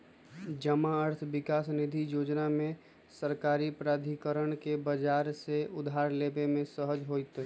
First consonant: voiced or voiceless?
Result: voiced